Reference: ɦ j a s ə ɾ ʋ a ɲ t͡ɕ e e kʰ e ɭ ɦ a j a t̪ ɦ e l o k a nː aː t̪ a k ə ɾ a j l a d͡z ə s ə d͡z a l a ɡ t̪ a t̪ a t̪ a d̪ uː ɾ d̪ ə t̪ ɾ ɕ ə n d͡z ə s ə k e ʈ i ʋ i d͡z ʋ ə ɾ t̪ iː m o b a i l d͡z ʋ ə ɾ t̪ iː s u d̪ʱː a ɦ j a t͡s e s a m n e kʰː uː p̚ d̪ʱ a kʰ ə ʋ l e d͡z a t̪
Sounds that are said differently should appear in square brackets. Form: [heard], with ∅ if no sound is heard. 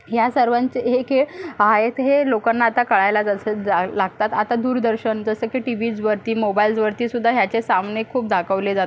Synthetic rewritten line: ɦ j a s ə ɾ ʋ a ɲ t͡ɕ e e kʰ e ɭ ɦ a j [e] t̪ ɦ e l o k a nː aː t̪ a k ə [ɭ] a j l a d͡z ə s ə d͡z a l a ɡ t̪ a t̪ a t̪ a d̪ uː ɾ d̪ ə [∅] ɾ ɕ ə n d͡z ə s ə k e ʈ i ʋ i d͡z ʋ ə ɾ t̪ iː m o b a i l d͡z ʋ ə ɾ t̪ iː s u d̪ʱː a ɦ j a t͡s e s a m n e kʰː uː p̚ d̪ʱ a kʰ ə ʋ l e d͡z a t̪